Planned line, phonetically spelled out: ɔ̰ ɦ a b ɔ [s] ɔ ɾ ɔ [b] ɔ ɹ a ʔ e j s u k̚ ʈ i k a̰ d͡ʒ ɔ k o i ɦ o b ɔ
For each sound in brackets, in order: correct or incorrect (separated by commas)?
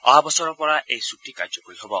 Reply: correct, incorrect